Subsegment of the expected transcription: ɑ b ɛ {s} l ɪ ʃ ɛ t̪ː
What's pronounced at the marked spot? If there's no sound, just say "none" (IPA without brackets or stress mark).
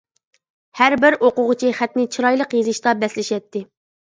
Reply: s